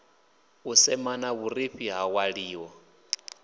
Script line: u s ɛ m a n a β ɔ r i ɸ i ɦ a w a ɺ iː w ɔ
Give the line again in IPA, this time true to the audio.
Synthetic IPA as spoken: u s ɛ m a n a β u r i ɸ i ɦ a w a ɺ iː w ɔ